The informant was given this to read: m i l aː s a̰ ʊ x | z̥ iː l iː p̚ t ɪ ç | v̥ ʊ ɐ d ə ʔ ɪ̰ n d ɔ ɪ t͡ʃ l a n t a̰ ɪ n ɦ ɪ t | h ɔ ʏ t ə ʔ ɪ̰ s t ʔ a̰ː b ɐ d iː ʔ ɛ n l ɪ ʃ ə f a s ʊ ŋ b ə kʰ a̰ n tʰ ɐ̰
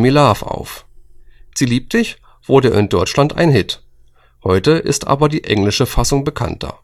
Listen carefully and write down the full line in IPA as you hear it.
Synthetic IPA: m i l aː f a̰ ʊ f | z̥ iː l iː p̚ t ɪ ç | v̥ ʊ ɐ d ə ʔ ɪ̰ n d ɔ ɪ t͡ʃ l a n t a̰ ɪ n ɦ ɪ t | h ɔ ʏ t ə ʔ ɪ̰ s t ʔ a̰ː b ɐ d iː ʔ ɛ ŋ l ɪ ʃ ə f a s ʊ ŋ b ə kʰ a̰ n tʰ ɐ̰

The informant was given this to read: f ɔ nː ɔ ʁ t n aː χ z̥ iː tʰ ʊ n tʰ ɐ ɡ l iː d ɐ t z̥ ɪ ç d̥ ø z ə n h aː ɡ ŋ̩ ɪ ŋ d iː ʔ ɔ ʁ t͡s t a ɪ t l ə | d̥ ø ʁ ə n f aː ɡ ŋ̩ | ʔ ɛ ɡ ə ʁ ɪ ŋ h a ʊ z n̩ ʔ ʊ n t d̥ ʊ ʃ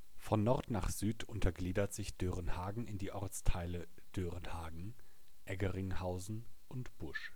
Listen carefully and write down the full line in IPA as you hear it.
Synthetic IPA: f ɔ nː ɔ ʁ t n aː χ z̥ yː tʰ ʊ n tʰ ɐ ɡ l iː d ɐ t z̥ ɪ ç d̥ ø ʁ ə n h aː ɡ ŋ̩ ɪ n d iː ʔ ɔ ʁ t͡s tʰ a ɪ l ə | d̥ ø ʁ ə n h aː ɡ ŋ̩ | ʔ ɛ ɡ ə ʁ ɪ ŋ h a ʊ z n̩ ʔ ʊ n t b̥ ʊ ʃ

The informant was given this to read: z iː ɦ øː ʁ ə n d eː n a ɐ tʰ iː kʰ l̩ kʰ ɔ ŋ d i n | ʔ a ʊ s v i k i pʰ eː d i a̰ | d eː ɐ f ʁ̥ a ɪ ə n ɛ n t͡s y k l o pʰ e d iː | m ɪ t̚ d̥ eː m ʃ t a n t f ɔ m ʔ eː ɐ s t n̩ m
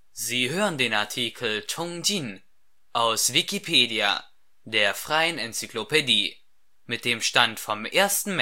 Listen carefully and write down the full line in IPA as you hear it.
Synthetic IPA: z iː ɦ øː ʁ ə n d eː n a ɐ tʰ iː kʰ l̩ tʰ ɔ ŋ d i n | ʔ a ʊ s v i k i pʰ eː d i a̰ | d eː ɐ f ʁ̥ a ɪ ə n ɛ n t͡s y k l o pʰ e d iː | m ɪ t̚ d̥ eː m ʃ t a n t f ɔ m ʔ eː ɐ s t n̩ m

